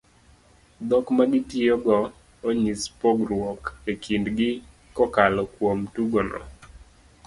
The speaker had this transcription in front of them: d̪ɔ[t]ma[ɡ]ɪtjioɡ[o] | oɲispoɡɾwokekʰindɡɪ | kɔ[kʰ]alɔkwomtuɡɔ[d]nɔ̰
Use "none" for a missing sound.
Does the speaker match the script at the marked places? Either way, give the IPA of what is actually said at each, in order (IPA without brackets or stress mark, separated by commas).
k, ɡ, ɔ, k, none